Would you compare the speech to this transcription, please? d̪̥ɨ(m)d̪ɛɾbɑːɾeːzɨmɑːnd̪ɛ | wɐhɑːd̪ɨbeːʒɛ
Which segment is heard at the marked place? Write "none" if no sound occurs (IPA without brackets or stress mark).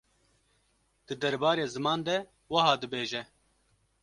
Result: none